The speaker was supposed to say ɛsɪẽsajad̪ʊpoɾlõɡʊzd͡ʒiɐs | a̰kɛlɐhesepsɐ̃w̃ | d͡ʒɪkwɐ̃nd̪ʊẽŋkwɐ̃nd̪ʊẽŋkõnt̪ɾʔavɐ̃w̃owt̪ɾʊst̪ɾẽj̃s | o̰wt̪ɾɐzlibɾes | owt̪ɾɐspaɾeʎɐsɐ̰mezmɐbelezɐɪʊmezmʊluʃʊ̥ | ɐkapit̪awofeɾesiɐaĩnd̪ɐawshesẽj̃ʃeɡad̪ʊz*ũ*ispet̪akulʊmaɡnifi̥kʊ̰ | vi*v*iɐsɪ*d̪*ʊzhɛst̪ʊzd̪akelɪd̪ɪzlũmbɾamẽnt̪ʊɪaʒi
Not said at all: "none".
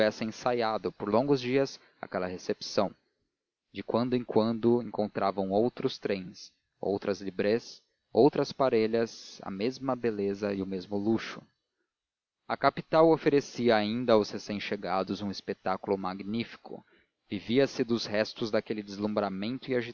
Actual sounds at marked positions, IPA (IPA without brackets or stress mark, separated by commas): ũ, v, d̪